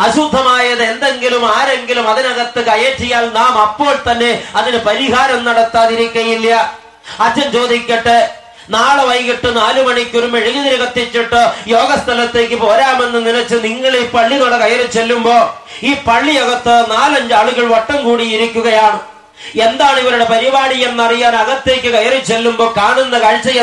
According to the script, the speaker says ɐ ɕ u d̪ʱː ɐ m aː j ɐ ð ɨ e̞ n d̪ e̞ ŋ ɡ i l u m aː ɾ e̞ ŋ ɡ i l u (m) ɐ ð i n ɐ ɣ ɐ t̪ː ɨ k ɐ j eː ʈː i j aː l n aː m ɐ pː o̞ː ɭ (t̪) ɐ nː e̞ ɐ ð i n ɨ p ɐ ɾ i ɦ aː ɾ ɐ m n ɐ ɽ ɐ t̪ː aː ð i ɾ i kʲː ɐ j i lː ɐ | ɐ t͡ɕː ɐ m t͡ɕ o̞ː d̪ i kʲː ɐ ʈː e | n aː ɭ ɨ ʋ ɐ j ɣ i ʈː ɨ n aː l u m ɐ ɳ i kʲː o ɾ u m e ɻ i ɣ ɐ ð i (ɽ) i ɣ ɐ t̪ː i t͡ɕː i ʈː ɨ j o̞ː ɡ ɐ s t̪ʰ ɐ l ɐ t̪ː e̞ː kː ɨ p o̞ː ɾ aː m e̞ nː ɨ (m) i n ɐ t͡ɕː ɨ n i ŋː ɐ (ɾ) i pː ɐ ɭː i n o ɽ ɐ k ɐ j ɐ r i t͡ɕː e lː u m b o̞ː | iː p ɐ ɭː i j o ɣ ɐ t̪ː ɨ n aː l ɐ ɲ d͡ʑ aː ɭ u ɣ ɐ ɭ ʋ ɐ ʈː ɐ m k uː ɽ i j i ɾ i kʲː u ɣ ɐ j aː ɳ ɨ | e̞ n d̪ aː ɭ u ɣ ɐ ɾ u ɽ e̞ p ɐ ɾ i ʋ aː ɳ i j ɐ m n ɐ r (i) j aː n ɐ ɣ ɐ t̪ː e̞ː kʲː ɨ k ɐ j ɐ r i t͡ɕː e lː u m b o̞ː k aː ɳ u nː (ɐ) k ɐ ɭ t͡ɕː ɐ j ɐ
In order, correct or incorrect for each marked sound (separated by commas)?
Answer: correct, correct, incorrect, incorrect, incorrect, correct, correct